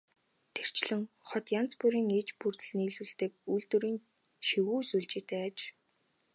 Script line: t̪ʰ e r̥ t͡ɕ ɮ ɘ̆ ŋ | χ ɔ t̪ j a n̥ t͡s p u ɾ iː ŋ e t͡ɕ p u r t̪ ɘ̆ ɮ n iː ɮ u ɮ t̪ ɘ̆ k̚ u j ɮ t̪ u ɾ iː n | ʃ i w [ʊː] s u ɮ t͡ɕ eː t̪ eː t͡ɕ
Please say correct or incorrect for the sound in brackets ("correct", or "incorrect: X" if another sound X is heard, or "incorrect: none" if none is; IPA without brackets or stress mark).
incorrect: uː